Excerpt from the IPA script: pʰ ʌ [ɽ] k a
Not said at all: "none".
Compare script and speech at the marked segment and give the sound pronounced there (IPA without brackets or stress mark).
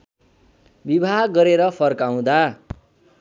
r